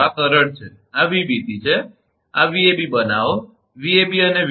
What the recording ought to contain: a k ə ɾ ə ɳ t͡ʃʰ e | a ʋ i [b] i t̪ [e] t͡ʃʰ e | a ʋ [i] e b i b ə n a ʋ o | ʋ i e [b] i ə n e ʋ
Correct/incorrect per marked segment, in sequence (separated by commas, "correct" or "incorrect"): correct, incorrect, correct, correct